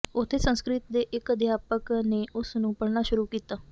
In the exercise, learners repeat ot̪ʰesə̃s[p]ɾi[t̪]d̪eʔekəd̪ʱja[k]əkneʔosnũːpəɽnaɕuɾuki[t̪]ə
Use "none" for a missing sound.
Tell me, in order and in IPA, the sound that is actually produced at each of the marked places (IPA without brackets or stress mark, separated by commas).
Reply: k, t̪, p, t̪